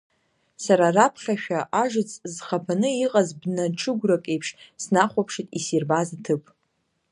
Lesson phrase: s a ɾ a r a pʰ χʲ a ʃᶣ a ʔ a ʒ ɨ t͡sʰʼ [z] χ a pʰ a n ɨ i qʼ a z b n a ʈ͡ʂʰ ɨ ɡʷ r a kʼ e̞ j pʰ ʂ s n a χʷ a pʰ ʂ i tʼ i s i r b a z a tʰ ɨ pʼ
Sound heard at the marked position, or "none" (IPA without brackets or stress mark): z